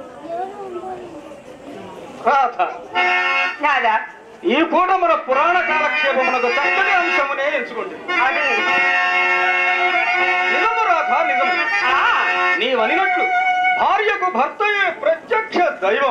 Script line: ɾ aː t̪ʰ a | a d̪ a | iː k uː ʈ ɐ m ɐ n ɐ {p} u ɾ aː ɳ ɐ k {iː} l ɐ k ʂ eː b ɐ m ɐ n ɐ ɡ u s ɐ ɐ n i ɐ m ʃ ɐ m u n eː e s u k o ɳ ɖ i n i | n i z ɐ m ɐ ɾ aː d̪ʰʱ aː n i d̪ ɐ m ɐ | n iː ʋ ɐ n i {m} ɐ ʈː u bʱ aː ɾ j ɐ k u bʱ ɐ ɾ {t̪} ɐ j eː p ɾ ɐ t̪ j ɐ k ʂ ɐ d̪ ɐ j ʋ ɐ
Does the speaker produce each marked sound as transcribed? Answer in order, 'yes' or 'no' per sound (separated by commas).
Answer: yes, no, no, yes